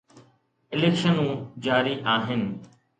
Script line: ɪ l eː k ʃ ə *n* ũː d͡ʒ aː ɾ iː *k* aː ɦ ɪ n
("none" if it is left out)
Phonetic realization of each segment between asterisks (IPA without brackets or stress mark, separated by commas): n, ʔ